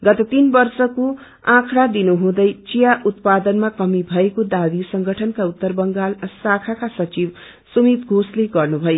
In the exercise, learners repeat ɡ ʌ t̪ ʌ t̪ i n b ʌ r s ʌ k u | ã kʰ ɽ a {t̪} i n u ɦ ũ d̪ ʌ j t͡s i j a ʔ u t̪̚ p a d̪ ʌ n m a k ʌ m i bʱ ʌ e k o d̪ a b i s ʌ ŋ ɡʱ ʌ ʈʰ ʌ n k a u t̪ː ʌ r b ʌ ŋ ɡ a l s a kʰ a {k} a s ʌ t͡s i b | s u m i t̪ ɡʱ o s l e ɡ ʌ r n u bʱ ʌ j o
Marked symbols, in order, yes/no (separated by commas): no, yes